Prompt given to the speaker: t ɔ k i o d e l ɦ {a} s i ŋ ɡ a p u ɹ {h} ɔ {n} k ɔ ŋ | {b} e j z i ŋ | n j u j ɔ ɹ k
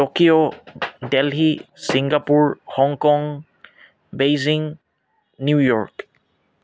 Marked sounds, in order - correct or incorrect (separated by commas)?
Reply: incorrect, correct, incorrect, correct